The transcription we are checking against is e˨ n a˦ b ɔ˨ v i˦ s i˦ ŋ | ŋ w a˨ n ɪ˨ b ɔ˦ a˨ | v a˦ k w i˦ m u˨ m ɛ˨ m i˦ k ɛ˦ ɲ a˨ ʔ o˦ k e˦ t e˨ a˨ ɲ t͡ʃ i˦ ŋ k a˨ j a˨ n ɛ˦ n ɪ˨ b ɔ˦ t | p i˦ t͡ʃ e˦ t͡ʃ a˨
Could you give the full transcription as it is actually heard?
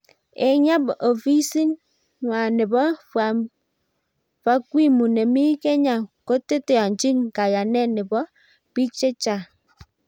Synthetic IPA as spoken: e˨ ɲ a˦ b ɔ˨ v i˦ s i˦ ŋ | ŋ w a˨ n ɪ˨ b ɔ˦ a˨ | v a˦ k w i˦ m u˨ n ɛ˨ m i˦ k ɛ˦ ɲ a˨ k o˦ t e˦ t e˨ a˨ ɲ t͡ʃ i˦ ŋ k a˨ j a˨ n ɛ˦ n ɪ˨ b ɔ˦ | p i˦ t͡ʃ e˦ t͡ʃ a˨